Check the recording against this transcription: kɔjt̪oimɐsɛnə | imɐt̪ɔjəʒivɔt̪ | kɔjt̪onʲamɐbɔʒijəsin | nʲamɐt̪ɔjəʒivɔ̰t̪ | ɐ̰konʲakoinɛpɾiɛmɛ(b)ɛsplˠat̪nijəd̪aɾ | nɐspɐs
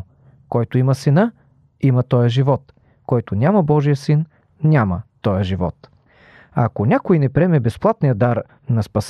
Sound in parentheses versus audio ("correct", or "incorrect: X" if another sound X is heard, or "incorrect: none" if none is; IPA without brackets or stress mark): correct